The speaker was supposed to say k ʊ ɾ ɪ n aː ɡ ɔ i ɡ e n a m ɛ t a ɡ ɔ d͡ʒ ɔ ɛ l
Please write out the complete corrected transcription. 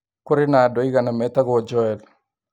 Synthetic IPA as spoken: k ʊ ɾ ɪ n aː d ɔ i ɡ a n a m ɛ t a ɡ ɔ d͡ʒ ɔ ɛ l